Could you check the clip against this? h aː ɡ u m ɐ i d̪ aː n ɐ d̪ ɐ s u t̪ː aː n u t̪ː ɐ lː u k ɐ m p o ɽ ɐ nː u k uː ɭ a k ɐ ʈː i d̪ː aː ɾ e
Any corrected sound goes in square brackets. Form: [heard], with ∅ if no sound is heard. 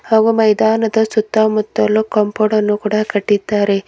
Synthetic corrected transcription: h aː ɡ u m ɐ [j] d̪ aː n ɐ d̪ ɐ s u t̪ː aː [m] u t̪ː ɐ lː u k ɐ m p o ɽ ɐ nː u k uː [ɽ] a k ɐ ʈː i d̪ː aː ɾ e